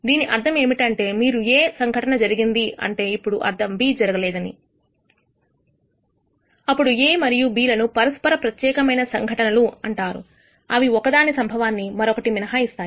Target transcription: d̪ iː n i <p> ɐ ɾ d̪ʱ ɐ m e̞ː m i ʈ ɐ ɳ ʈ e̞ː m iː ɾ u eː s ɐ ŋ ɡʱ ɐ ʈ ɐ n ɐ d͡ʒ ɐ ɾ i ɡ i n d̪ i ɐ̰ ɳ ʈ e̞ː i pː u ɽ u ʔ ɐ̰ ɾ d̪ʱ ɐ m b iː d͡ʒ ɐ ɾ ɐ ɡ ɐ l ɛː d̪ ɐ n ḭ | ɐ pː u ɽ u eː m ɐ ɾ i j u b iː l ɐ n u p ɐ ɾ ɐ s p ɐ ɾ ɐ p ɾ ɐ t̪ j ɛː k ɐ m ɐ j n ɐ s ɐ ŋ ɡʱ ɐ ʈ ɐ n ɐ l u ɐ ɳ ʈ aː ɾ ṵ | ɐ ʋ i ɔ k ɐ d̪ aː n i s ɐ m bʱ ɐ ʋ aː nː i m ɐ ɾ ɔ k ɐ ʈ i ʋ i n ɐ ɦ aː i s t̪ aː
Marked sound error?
yes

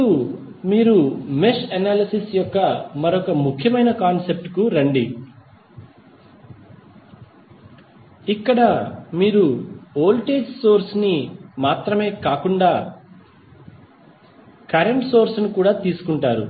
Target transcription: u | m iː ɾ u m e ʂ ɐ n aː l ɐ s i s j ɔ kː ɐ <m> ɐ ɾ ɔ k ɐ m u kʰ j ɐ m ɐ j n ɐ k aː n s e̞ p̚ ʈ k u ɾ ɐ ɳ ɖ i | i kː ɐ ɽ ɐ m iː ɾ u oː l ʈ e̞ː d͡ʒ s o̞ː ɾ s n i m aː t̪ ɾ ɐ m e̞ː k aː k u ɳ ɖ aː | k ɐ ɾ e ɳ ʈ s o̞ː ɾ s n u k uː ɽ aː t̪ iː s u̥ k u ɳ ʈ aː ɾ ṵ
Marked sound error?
no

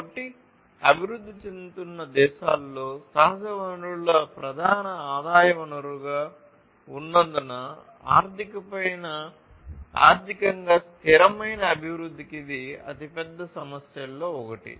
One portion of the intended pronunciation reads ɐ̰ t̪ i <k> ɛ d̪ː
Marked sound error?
yes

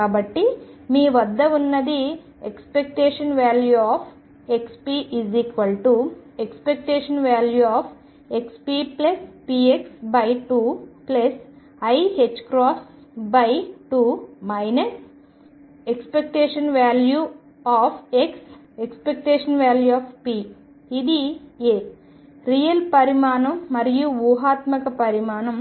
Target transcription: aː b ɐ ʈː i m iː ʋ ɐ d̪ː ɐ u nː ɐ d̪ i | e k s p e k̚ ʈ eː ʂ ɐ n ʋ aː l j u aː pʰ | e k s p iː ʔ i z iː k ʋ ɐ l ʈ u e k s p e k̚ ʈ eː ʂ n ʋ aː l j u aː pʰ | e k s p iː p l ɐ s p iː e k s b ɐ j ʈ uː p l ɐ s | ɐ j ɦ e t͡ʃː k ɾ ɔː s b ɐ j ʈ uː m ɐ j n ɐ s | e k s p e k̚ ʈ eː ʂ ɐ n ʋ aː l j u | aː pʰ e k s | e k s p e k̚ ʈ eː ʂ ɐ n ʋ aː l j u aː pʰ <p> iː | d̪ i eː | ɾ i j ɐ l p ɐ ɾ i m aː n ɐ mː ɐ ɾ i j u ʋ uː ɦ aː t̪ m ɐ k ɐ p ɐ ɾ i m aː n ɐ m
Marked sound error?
no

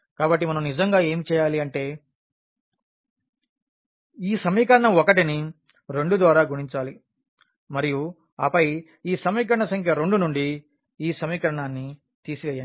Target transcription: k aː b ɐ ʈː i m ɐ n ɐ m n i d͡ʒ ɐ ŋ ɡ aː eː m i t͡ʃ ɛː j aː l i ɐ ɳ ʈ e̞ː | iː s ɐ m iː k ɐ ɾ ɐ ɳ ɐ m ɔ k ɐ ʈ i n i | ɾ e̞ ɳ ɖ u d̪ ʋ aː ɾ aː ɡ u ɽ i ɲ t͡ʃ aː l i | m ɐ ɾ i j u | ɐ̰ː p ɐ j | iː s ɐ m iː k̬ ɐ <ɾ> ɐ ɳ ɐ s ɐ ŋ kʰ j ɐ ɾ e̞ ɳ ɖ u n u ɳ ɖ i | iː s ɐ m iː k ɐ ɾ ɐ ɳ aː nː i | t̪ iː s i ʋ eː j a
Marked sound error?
no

